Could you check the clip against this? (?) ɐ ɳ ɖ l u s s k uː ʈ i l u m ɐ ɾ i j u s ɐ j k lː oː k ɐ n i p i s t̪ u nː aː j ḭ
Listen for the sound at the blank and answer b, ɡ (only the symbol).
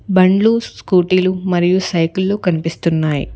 b